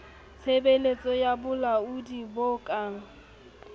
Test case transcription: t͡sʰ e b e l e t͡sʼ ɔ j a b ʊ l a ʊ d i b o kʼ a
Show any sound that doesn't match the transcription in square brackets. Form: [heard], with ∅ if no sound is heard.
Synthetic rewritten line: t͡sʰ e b e l e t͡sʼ ɔ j a b ʊ l a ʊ d i b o kʼ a